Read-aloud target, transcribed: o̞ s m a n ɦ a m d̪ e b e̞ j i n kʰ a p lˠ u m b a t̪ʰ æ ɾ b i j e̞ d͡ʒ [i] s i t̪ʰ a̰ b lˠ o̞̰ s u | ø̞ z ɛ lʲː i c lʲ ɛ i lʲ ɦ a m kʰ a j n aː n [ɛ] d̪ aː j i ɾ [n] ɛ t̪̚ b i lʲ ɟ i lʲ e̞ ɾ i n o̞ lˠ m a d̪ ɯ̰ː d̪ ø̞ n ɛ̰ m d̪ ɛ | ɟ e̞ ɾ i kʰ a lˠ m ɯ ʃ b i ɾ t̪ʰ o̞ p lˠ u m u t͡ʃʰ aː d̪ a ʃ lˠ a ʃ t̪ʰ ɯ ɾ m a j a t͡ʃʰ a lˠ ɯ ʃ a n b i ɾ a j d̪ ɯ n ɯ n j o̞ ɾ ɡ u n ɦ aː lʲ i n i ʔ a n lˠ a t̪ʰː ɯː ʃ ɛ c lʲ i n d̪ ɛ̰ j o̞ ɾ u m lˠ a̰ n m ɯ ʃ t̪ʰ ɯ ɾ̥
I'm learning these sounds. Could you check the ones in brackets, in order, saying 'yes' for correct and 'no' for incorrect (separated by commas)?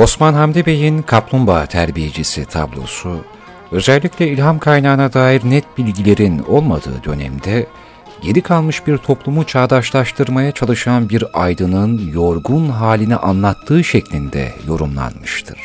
yes, no, yes